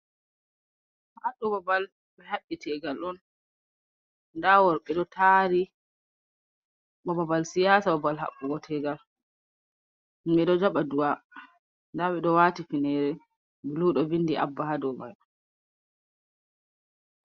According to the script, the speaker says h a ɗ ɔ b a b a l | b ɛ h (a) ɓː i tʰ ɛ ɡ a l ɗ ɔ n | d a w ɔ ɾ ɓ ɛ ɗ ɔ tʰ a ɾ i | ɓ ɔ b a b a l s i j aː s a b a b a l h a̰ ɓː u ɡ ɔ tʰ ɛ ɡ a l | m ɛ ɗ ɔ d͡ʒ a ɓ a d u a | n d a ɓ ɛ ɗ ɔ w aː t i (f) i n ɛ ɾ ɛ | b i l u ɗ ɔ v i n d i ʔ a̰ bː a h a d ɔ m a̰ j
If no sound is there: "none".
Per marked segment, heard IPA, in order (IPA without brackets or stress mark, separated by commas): a, f